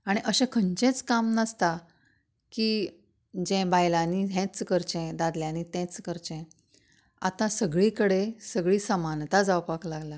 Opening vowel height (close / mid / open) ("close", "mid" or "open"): open